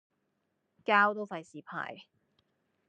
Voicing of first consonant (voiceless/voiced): voiceless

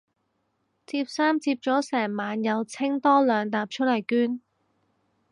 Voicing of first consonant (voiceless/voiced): voiceless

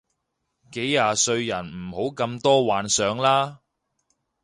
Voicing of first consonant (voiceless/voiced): voiceless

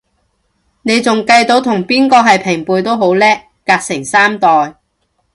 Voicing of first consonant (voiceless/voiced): voiced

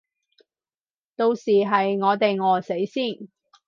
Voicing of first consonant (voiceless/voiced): voiceless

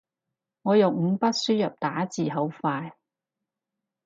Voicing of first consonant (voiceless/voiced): voiced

